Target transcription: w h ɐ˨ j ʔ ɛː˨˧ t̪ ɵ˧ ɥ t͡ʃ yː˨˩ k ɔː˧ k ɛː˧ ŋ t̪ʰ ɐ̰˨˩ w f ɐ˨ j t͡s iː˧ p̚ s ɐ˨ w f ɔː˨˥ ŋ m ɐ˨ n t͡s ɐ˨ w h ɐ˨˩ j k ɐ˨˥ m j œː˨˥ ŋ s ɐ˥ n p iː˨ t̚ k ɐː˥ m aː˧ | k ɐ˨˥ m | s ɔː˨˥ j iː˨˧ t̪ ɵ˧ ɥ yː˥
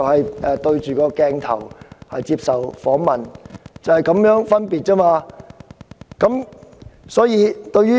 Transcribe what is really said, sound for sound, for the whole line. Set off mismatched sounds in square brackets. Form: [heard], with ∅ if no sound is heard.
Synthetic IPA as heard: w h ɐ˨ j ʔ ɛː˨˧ t̪ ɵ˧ ɥ t͡ʃ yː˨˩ k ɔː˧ k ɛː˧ ŋ t̪ʰ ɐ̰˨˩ w [h] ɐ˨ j t͡s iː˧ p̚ s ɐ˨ w f ɔː˨˥ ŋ m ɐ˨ n t͡s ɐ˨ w h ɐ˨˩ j k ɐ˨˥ m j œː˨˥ ŋ [f] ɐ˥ n p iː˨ t̚ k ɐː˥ m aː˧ | k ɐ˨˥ m | s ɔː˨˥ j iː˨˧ t̪ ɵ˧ ɥ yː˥